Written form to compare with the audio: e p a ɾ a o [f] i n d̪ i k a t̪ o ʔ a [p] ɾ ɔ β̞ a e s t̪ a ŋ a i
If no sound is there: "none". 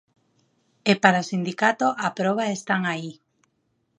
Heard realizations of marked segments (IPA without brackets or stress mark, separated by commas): s, p